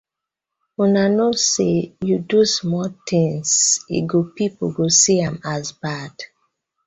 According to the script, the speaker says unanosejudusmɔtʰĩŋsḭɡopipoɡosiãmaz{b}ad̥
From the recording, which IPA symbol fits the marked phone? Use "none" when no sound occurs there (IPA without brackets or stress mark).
b